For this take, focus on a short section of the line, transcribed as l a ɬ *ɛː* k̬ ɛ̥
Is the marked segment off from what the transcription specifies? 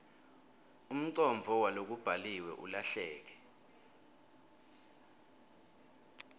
no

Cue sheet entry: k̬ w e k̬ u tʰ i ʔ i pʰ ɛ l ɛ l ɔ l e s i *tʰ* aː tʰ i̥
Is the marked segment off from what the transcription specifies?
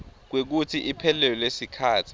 yes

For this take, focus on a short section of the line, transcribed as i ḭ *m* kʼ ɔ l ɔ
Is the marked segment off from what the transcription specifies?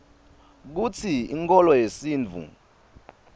yes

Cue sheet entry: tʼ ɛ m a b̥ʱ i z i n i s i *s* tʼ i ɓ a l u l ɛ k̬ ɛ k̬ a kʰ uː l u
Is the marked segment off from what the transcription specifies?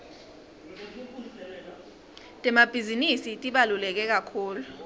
yes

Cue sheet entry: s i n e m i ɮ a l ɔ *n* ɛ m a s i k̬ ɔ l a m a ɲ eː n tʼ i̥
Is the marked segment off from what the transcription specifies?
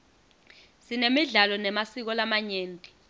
no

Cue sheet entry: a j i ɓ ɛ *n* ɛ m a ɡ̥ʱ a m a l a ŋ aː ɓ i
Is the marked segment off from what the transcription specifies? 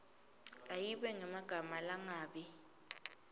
yes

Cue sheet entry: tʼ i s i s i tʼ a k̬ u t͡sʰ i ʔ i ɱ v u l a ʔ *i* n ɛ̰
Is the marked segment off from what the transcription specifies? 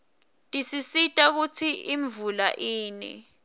yes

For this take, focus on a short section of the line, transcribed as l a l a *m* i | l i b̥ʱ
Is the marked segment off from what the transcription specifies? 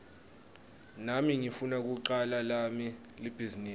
no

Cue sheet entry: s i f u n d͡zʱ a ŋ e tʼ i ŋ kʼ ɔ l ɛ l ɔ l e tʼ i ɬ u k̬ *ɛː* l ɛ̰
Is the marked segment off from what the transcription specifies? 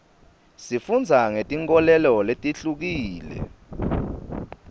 yes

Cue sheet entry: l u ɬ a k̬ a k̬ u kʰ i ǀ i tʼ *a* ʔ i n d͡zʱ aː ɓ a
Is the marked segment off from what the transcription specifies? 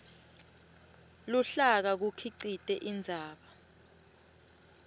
yes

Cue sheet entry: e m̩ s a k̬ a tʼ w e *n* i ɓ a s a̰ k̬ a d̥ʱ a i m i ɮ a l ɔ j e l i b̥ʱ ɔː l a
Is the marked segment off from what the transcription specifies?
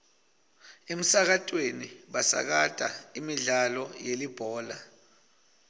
no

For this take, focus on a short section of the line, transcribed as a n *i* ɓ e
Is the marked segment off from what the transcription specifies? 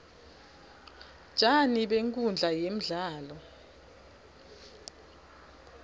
no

